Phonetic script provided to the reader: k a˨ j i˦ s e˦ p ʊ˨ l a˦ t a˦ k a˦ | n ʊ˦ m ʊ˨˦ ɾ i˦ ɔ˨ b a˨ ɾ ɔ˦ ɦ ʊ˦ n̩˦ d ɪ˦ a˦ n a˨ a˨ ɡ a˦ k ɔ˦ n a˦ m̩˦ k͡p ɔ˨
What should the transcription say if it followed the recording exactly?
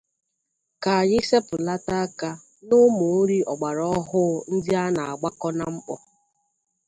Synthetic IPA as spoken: k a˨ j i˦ s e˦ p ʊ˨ l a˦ t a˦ k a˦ | n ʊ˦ m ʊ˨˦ ɾ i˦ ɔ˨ ɡ͡b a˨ ɾ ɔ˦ ɦ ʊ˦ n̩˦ d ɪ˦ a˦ n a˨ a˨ ɡ͡b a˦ k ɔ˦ n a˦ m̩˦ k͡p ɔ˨

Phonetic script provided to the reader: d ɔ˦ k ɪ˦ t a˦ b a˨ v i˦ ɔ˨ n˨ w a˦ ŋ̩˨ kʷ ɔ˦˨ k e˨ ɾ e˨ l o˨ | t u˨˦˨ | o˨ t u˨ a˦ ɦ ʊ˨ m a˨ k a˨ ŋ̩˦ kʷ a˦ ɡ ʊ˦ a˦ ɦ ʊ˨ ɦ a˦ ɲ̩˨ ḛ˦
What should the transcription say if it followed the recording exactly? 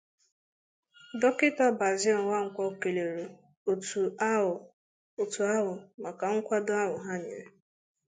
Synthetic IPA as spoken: d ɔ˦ k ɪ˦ t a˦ b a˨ z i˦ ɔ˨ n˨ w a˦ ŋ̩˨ kʷ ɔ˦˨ k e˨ l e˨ ɾ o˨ | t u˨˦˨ | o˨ t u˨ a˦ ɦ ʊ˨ m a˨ k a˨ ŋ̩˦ kʷ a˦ d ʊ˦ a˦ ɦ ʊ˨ ɦ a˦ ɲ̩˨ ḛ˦

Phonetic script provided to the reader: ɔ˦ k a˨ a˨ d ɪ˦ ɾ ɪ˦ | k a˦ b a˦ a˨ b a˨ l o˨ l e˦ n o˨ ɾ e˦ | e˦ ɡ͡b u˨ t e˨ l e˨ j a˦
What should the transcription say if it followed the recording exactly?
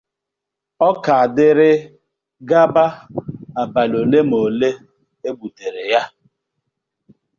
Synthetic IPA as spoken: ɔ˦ k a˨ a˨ d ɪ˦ ɾ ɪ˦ | ɡ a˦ b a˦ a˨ b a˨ l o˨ l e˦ m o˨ l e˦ | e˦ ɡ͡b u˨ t e˨ ɾ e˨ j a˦

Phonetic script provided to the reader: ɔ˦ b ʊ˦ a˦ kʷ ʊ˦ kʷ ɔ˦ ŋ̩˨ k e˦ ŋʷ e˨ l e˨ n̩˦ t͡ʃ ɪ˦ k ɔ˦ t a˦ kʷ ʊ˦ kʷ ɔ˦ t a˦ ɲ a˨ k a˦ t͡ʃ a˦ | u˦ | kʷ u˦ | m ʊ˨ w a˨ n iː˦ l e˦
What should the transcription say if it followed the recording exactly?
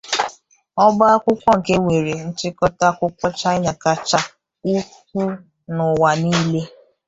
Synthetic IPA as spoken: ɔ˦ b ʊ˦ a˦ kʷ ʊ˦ kʷ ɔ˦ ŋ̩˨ k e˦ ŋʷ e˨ ɾ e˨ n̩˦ t͡ʃ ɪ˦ k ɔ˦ t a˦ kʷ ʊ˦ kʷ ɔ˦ t͡ʃ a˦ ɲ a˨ k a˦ t͡ʃ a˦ | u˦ | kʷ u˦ | n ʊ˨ w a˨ n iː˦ l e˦

